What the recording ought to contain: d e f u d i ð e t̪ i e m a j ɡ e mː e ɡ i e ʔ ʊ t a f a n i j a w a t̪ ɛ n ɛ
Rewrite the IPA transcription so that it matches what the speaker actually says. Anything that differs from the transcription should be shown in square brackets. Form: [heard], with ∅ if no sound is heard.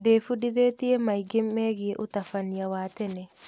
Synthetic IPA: d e f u d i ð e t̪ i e m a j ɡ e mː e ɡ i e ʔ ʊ t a f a n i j a w a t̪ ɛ n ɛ